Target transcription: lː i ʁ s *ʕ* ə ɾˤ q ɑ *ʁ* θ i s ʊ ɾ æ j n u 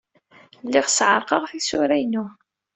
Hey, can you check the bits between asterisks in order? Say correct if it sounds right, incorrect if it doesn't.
correct, correct

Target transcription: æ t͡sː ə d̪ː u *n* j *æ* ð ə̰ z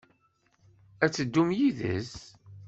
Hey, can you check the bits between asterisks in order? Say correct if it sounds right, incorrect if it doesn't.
incorrect, incorrect

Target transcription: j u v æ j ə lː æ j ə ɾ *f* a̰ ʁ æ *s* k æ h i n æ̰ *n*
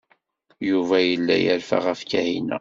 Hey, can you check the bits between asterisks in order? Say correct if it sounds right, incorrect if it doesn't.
correct, incorrect, incorrect

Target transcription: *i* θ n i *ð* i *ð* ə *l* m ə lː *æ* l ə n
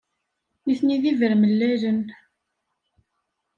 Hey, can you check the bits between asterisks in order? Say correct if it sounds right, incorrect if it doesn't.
correct, correct, incorrect, incorrect, correct

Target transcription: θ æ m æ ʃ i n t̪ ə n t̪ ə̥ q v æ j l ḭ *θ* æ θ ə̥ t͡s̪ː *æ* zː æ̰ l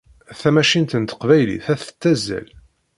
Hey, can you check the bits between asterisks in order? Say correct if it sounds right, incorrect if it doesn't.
correct, correct

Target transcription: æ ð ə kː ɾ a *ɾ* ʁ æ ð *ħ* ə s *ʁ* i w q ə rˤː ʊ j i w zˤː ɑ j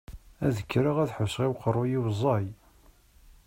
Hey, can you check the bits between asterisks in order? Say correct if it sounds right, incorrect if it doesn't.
incorrect, correct, correct

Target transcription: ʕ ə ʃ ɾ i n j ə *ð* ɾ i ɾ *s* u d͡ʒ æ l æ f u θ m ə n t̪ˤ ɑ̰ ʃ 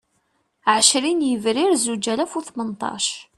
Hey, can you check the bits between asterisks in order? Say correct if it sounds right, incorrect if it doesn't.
incorrect, incorrect

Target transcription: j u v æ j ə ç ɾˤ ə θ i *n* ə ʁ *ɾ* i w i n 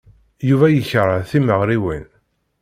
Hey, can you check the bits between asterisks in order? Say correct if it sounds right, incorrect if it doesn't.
incorrect, correct

